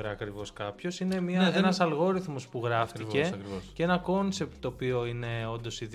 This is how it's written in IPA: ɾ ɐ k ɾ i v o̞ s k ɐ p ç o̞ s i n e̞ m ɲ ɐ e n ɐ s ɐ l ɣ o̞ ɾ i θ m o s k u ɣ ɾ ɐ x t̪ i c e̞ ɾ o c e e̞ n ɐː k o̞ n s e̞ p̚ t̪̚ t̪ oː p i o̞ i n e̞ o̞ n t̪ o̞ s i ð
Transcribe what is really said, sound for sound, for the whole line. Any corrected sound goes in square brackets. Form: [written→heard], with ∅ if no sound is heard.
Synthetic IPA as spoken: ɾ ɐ k ɾ i v o̞ s k ɐ p ç o̞ s i n e̞ m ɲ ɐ e n ɐ s ɐ l ɣ o̞ ɾ i θ m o s [k→p] u ɣ ɾ ɐ [x→f] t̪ i c e̞ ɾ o c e e̞ n [ɐː→ɐ] k o̞ n s e̞ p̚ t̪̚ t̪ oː p i o̞ i n e̞ o̞ n [t̪→d̪] o̞ s i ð